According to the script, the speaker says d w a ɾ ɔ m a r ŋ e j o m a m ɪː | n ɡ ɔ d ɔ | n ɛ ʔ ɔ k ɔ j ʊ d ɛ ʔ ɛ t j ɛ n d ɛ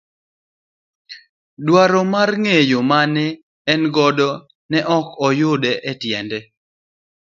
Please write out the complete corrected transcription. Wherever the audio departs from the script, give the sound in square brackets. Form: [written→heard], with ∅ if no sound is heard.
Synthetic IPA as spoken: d w a ɾ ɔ m a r ŋ e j o m a [m→n] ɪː | n ɡ ɔ d ɔ | n ɛ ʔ ɔ k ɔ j ʊ d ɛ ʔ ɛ t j ɛ n d ɛ